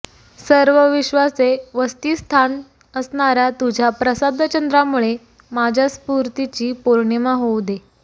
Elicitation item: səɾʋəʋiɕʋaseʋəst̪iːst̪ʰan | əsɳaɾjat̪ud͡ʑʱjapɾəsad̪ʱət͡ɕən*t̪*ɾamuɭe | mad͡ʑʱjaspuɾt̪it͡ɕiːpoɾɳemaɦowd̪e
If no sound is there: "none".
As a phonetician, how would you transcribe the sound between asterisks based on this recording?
d̪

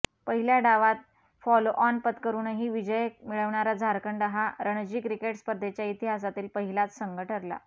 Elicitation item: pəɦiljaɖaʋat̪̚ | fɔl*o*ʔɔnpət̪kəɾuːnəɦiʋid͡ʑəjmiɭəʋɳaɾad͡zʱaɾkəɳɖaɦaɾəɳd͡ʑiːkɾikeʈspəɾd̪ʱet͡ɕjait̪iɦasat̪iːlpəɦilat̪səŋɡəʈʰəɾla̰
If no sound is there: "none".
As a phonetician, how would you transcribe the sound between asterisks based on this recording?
o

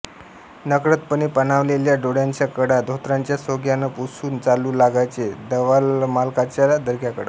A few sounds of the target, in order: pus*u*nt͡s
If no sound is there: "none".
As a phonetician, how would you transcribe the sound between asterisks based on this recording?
uː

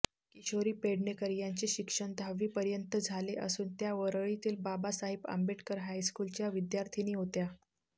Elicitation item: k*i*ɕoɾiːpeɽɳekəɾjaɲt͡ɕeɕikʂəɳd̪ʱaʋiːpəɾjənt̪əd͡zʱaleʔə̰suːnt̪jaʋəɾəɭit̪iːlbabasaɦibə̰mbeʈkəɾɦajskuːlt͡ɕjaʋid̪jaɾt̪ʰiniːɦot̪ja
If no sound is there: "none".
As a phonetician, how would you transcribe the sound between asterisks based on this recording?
i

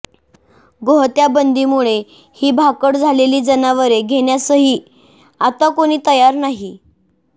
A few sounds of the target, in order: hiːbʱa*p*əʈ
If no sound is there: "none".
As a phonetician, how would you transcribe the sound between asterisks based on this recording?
k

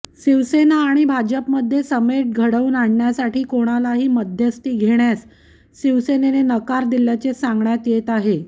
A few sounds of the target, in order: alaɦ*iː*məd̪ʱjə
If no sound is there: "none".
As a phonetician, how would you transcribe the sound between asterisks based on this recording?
iː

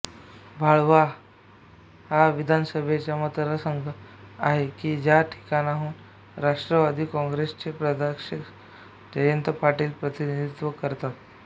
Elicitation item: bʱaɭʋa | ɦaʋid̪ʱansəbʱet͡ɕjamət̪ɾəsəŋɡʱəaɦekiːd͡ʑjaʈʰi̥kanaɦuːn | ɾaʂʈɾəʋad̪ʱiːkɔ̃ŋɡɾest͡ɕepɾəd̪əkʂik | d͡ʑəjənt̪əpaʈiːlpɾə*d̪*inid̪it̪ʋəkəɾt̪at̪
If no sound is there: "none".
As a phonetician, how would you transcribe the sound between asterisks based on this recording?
t̪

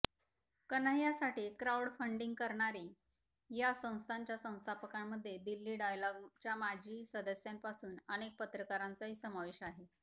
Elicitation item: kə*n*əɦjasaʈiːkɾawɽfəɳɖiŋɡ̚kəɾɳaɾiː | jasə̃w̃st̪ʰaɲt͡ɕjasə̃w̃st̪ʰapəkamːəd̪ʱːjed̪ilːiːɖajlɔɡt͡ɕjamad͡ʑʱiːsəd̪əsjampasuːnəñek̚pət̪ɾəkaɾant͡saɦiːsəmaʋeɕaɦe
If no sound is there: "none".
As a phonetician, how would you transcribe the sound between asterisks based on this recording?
n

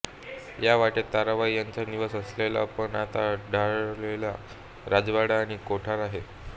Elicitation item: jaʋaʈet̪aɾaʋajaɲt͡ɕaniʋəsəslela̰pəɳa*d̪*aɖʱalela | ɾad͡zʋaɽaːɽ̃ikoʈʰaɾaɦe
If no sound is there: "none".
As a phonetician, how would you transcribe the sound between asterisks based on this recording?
t̪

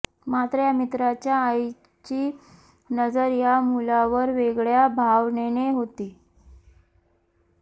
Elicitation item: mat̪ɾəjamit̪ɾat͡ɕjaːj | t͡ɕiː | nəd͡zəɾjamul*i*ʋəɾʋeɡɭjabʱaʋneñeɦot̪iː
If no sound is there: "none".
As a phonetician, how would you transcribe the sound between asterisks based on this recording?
a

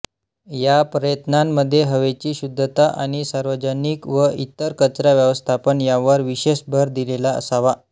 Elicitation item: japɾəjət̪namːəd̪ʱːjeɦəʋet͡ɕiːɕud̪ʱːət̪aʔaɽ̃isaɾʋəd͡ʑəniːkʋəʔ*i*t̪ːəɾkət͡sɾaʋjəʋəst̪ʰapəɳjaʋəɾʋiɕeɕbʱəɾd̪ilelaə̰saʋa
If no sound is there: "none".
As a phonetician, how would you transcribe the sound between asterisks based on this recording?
i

